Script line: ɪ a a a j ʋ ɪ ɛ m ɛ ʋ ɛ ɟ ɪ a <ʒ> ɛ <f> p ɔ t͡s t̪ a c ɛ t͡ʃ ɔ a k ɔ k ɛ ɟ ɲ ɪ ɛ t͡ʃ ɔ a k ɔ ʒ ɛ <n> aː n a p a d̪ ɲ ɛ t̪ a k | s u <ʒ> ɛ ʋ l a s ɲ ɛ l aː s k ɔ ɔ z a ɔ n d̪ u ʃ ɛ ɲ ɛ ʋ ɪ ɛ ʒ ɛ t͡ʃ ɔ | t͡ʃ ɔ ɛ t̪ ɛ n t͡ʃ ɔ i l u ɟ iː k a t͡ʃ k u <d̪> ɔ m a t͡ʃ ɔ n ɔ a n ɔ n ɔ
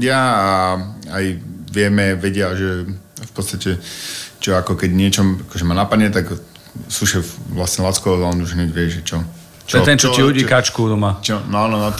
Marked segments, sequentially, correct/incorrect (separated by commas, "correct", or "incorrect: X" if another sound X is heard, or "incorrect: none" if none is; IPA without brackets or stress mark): correct, correct, incorrect: m, incorrect: ʃ, correct